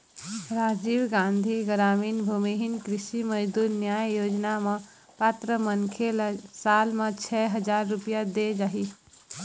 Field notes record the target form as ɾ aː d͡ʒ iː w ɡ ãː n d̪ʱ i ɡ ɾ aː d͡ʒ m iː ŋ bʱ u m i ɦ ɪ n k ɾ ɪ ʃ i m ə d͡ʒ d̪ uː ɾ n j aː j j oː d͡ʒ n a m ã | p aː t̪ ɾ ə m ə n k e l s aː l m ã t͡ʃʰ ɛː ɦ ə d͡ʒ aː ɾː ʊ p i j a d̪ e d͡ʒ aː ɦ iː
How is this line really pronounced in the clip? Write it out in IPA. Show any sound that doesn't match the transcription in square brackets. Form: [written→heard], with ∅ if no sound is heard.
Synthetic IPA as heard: ɾ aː d͡ʒ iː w ɡ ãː n d̪ʱ i ɡ ɾ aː [d͡ʒ→∅] m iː [ŋ→n] bʱ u m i ɦ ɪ n k ɾ ɪ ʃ i m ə d͡ʒ d̪ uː ɾ n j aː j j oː d͡ʒ n a m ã | p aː t̪ ɾ ə m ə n [k→kʰ] e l s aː l m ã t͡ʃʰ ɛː ɦ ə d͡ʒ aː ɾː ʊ p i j a d̪ e d͡ʒ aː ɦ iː